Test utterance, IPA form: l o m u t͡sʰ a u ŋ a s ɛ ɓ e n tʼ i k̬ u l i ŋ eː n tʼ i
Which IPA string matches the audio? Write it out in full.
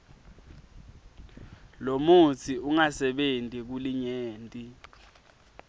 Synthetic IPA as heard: l o m u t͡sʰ i u ŋ a s ɛ ɓ e n tʼ i k̬ u l i ɲ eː n tʼ i

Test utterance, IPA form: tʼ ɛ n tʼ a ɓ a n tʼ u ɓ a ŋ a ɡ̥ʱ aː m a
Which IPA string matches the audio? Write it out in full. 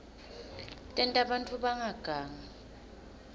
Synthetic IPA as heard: tʼ ɛ n tʼ a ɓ a n tʼ u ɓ a ŋ a ɡ̥ʱ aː ŋ a

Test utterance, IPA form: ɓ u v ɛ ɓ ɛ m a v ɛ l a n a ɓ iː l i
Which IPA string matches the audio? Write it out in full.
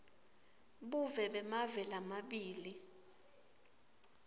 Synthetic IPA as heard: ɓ u v ɛ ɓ ɛ m a v ɛ l a m a ɓ iː l i

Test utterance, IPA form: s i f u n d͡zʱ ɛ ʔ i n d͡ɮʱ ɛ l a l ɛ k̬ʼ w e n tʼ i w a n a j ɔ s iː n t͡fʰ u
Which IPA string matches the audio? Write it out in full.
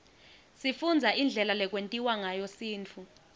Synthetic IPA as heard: s i f u n d͡zʱ a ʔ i n d͡ɮʱ ɛ l a l ɛ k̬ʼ w e n tʼ i w a ŋ a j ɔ s iː n t͡fʰ u

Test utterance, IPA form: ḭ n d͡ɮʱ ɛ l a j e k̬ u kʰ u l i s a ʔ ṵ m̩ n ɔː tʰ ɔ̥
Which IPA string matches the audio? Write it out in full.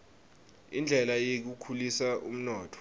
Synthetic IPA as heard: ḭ n d͡ɮʱ ɛ l a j e k̬ u kʰ u l i s a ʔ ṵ m̩ n ɔː tʰ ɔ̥

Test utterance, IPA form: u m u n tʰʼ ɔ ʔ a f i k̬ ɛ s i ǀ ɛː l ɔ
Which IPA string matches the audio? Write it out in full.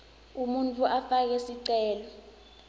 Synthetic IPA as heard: u m u n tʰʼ u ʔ a f a k̬ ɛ s i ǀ ɛː l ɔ

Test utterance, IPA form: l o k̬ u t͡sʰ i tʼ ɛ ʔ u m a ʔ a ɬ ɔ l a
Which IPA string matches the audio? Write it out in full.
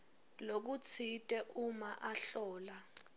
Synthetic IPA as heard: l o k̬ u t͡sʰ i tʼ ɛ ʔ u m a ʔ a ɬ ɔː l a

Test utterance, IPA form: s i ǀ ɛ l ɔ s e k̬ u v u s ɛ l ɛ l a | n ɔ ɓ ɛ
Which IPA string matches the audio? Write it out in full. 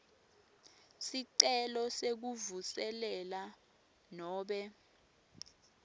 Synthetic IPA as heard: s i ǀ ɛ l ɔ s e k̬ u v u s ɛ l ɛ l a | n ɔː ɓ ɛ

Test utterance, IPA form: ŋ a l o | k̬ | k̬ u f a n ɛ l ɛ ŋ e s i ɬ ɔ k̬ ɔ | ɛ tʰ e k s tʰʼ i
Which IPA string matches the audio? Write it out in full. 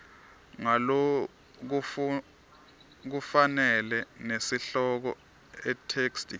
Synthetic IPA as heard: ŋ a l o | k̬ | k̬ u f a n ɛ l ɛ n e s i ɬ ɔ k̬ ɔ | ɛ tʰ e k s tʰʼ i

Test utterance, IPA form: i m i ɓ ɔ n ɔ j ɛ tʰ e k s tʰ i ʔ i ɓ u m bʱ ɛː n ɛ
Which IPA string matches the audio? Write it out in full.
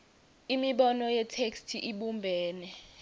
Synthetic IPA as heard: i m i ɓ ɔ n ɔ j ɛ tʰ e k s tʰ i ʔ i ɓ u m bʱ ɛː n ɛ

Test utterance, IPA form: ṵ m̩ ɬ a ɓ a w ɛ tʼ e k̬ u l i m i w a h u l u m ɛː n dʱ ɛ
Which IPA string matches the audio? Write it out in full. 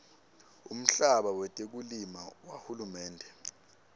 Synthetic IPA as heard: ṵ m̩ ɬ a ɓ a w ɛ tʼ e k̬ u l i m a w a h u l u m ɛː n dʱ ɛ

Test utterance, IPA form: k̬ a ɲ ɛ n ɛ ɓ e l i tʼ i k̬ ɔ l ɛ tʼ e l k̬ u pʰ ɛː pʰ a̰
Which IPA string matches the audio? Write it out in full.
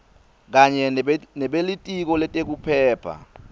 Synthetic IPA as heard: k̬ a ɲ ɛ n ɛ ɓ e l i tʼ i k̬ ɔ l ɛ tʼ e k̬ u pʰ ɛː pʰ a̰

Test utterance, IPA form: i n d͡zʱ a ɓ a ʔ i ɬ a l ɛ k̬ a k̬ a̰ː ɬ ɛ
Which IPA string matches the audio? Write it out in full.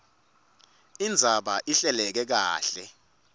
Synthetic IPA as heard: i n d͡zʱ a ɓ a ʔ i ɬ ɛ l ɛ k̬ ɛ k̬ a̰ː ɬ ɛ

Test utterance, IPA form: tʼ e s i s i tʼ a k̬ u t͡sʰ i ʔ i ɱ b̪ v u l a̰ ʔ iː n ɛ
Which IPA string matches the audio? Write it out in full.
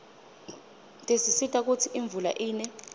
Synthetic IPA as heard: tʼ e s i s i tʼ a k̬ u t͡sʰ i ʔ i ɱ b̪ v u l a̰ ʔ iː n ɛ

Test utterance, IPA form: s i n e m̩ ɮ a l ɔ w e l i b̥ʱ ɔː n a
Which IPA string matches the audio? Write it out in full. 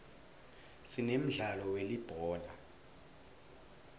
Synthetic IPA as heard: s i n e m̩ ɮ a l ɔ w e l i b̥ʱ ɔː n a

